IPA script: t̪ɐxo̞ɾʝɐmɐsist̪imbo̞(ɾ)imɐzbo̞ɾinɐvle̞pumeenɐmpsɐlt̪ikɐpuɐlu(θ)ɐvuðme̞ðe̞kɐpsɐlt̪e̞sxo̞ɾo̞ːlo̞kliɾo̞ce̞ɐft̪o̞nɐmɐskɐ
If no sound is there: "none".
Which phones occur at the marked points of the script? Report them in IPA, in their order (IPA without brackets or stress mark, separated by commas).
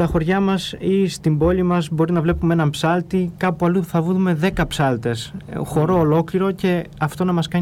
l, θ